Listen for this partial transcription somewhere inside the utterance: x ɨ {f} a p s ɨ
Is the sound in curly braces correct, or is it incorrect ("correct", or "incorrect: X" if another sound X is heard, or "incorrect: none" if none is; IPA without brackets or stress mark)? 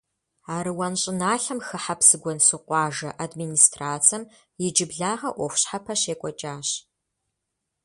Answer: incorrect: ħ